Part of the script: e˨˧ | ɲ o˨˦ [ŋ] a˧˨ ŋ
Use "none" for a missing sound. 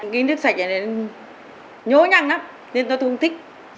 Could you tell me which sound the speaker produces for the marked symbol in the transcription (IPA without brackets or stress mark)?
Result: ɲ